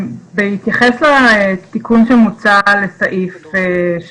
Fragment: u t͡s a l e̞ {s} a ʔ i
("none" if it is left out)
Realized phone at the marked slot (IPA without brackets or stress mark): s